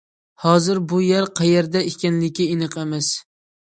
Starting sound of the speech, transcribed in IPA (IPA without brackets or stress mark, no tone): h